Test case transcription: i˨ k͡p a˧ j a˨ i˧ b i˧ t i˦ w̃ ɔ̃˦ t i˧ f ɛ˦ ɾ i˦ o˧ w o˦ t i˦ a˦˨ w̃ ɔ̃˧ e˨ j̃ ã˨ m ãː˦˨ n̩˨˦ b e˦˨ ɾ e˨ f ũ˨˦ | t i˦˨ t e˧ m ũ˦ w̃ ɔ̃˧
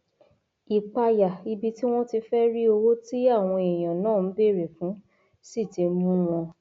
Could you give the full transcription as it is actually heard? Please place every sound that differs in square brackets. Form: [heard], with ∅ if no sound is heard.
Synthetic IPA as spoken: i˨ k͡p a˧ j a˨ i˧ b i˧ t i˦ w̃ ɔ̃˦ t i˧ f ɛ˦ ɾ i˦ o˧ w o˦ t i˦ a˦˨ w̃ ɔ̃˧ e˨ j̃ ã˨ [n] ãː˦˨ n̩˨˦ b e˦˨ ɾ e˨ f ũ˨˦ | [s] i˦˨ t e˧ m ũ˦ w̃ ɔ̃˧